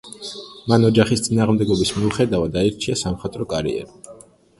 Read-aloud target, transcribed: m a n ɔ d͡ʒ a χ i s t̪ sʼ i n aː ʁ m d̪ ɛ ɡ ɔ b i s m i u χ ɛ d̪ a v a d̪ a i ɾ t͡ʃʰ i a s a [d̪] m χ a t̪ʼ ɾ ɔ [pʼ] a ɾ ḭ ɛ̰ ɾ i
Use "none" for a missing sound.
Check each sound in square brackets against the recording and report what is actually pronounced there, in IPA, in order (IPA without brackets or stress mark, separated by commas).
none, kʼ